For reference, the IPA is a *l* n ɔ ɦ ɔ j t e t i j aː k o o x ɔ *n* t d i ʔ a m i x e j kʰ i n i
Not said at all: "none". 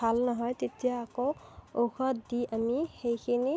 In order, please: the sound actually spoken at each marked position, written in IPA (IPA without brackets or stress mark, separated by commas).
l, none